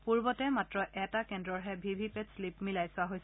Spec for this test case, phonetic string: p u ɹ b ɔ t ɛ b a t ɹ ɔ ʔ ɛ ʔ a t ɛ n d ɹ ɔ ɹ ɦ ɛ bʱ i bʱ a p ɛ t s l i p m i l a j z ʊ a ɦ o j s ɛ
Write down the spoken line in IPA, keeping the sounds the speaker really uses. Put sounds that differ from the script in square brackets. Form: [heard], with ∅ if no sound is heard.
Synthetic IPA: p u ɹ b ɔ t ɛ [m] a t ɹ ɔ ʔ ɛ [t] a [k] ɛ n d ɹ ɔ ɹ ɦ ɛ bʱ i bʱ [i] p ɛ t s l i p m i l a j [s] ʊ a ɦ o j s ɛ